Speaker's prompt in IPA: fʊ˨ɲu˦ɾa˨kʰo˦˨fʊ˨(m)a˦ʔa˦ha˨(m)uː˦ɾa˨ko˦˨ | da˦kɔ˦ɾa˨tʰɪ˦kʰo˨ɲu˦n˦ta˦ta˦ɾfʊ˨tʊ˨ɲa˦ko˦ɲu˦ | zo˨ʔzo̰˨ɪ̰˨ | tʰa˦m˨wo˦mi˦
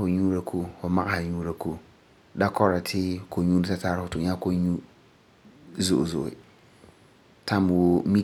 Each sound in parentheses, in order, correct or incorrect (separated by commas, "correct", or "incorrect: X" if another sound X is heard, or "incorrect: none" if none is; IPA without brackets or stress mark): correct, incorrect: ɲ